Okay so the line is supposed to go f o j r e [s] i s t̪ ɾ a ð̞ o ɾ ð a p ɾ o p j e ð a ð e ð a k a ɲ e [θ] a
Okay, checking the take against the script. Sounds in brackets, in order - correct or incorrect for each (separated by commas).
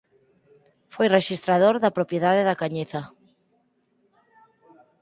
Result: incorrect, correct